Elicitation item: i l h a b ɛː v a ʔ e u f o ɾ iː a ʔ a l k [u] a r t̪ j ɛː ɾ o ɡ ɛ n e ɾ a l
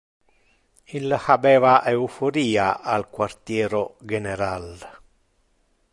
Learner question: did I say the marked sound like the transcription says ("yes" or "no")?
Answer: no